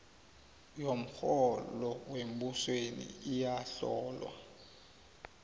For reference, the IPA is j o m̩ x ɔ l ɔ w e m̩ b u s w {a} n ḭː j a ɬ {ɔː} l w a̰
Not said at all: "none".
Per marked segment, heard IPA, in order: e, ɔː

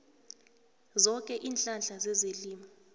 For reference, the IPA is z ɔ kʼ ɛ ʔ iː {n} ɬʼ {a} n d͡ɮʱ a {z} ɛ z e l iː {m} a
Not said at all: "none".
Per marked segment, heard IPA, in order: n, a, z, m

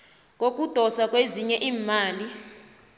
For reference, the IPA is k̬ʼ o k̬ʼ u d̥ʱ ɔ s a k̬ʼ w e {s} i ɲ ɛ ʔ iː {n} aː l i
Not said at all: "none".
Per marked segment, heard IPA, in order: z, m

